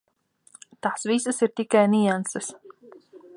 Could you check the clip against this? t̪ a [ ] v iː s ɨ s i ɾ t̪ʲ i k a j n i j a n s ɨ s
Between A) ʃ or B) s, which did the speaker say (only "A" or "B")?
B